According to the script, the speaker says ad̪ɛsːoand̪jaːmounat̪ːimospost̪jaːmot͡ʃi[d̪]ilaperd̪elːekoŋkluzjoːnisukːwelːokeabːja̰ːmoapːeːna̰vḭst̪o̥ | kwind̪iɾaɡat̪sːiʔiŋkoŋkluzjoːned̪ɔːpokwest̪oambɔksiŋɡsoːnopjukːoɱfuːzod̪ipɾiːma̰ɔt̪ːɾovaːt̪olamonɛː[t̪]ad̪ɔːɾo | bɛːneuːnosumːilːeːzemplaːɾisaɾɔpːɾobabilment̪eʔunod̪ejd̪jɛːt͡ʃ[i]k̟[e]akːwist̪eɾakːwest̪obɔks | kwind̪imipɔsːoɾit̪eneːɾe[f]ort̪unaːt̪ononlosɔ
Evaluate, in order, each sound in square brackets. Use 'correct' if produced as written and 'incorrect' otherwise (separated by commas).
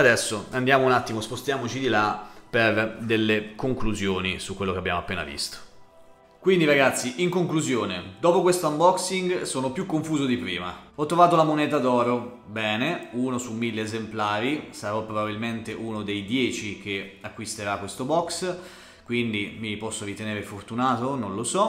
correct, correct, correct, correct, correct